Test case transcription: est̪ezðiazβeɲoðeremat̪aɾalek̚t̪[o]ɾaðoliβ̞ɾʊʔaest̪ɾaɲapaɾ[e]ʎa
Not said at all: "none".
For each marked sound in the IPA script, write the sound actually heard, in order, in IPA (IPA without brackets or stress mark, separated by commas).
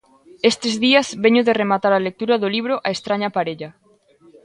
u, e